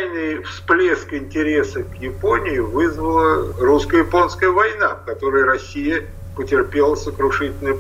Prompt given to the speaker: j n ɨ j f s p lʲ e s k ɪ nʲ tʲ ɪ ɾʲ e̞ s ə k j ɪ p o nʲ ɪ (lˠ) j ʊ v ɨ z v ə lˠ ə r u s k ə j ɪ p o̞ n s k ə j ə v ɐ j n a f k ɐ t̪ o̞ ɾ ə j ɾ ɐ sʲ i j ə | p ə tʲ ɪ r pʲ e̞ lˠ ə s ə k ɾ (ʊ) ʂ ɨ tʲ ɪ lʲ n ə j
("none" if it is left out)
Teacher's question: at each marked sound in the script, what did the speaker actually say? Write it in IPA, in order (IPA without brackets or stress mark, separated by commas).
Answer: none, ʊ